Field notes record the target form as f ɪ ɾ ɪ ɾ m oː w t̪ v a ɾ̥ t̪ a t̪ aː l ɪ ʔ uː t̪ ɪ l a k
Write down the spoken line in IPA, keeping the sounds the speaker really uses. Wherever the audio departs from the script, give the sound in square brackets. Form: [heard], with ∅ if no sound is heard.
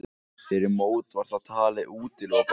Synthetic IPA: f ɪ ɾ ɪ ɾ m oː w t̪ v a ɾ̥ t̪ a [t̪ʰ] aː l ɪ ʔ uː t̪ ɪ l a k